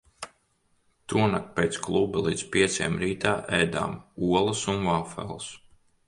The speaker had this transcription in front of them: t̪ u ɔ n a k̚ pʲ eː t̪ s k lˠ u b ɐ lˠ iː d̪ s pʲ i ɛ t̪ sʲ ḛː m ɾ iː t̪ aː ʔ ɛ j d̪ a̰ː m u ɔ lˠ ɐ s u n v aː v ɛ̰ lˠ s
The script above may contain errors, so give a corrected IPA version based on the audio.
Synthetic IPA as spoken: t̪ u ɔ n a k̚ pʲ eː t̪ s k lˠ u b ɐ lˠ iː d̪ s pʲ i ɛ t̪ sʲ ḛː m ɾ iː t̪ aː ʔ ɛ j d̪ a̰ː m u ɔ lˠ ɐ s u n v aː f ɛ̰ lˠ s